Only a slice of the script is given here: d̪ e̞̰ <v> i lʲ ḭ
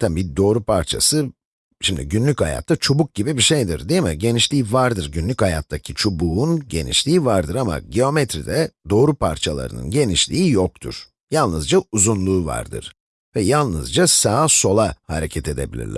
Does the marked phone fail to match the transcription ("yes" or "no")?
yes